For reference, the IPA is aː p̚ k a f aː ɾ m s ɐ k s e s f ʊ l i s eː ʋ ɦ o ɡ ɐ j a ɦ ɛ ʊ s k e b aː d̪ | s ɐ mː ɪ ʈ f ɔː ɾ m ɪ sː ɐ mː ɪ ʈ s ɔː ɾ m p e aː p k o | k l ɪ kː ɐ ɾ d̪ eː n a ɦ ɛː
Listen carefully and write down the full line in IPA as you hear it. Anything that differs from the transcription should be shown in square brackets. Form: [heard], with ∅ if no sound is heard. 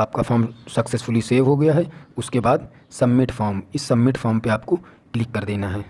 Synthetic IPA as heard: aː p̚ k a f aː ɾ m s ɐ k s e s f ʊ l i s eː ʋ ɦ o ɡ ɐ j a ɦ ɛ ʊ s k e b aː d̪ | s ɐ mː ɪ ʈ f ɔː ɾ m ɪ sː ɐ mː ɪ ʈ [f] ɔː ɾ m p e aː p k o | k l ɪ kː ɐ ɾ d̪ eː n a ɦ ɛː